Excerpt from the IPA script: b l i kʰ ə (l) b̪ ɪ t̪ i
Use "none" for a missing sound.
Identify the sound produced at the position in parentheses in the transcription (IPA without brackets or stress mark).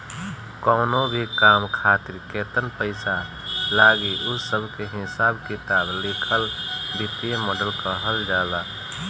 l